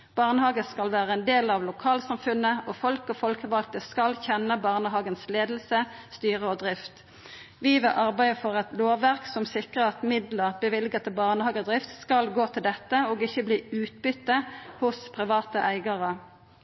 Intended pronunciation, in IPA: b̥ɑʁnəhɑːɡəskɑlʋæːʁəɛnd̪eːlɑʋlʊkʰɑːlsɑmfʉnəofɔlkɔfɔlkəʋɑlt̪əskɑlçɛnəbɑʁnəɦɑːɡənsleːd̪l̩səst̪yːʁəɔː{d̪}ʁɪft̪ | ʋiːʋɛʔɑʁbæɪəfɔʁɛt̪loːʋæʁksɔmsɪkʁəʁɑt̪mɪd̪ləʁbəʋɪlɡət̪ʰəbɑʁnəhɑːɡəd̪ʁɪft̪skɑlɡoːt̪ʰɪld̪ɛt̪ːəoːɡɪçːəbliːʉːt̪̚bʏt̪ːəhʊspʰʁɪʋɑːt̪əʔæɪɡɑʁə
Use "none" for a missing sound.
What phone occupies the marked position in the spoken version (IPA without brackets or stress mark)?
d̪